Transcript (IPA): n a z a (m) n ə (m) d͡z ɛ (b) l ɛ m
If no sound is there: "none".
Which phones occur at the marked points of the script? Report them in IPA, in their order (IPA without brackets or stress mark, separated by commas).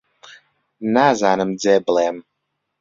none, m, b